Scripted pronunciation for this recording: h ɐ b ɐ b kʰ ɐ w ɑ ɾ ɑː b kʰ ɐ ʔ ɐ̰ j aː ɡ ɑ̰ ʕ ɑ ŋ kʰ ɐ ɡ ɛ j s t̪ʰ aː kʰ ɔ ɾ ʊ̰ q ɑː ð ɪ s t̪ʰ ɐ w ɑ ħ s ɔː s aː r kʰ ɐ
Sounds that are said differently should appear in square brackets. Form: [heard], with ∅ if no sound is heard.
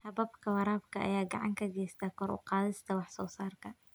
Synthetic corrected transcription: h ɐ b ɐ b kʰ ɐ w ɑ ɾ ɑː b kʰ ɐ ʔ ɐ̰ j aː ɡ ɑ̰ ʕ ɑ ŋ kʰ ɐ ɡ ɛ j s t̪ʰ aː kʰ ɔ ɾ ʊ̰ q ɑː ð ɪ s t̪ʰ ɐ w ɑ ħ s ɔː s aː r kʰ ɐ